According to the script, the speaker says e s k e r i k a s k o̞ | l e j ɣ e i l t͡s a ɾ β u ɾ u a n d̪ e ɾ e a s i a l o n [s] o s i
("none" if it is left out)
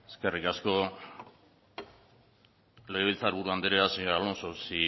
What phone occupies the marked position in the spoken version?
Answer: s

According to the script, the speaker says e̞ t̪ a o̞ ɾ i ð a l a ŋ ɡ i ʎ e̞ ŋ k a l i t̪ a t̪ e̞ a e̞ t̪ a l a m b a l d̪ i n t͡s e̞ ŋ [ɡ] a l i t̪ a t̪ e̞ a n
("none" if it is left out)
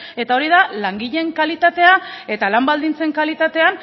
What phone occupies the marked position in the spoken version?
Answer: k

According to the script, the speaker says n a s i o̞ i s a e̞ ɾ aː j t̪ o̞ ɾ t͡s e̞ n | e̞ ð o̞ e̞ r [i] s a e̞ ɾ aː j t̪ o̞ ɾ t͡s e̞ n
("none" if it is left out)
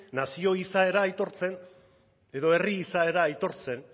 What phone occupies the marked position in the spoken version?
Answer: iː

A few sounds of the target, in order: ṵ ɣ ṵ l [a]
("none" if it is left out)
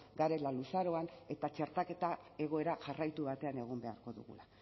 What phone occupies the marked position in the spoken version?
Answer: a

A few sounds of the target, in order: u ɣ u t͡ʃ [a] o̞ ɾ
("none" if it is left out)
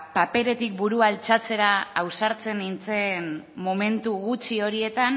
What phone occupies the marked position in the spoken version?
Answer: i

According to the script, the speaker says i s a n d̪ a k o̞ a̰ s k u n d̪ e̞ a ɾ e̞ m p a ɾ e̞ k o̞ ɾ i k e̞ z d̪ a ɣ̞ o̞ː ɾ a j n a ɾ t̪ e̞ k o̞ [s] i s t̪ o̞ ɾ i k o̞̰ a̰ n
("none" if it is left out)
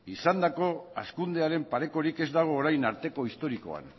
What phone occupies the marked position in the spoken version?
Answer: none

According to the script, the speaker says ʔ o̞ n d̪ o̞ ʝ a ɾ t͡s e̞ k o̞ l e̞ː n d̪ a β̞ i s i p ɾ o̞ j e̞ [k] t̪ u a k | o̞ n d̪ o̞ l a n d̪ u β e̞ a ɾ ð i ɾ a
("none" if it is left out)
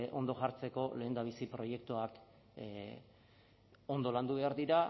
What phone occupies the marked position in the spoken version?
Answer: k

